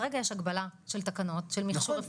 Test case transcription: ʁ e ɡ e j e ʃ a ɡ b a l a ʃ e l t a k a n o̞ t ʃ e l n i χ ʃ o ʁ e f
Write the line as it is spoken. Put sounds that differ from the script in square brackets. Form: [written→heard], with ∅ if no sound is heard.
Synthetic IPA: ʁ e ɡ [e→a] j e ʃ a ɡ b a l a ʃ e l t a k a n o̞ t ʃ e l [n→m] i χ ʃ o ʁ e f